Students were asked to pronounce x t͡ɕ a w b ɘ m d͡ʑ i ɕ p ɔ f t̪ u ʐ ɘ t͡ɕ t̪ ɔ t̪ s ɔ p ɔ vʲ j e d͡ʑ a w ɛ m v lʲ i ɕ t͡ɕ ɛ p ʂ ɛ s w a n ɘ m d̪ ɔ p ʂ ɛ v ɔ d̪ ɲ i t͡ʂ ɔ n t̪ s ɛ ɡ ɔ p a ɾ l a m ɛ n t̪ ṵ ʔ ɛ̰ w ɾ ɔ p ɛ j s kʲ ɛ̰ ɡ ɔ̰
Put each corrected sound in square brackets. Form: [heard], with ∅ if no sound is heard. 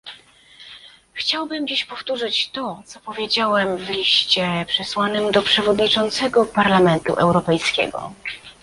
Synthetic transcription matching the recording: x t͡ɕ a w b ɘ m d͡ʑ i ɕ p ɔ f t̪ u ʐ ɘ t͡ɕ t̪ ɔ t̪ s ɔ p ɔ vʲ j e d͡ʑ a w ɛ m v lʲ i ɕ t͡ɕ ɛ p ʂ ɛ s w a n ɘ m d̪ ɔ p ʂ ɛ v ɔ d̪ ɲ i t͡ʂ ɔ n t̪ s ɛ ɡ ɔ p a ɾ l a m ɛ n t̪ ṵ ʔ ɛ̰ w ɾ ɔ p ɛ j s kʲ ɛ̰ ɡ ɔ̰